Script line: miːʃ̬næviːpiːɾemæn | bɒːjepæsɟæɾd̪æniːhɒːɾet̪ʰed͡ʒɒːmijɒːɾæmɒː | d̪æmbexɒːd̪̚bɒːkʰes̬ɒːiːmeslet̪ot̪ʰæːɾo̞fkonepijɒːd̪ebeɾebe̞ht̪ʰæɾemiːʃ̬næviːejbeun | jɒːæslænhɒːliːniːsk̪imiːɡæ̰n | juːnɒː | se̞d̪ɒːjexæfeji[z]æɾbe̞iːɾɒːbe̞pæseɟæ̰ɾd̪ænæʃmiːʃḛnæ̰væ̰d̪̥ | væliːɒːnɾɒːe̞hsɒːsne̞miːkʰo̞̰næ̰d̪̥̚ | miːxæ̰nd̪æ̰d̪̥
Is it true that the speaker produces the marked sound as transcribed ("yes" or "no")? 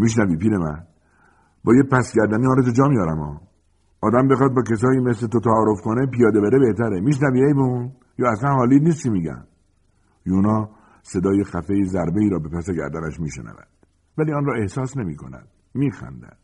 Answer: yes